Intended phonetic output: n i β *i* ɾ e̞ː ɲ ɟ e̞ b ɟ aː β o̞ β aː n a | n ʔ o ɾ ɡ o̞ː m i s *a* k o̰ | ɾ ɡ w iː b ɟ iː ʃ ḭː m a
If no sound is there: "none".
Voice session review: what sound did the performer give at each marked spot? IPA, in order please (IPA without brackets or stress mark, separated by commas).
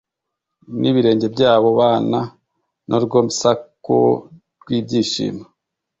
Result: i, a